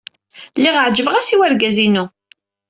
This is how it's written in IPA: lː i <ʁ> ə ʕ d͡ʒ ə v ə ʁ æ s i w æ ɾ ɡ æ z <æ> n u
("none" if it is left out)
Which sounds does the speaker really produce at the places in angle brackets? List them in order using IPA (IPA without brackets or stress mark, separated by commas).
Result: ʁ, i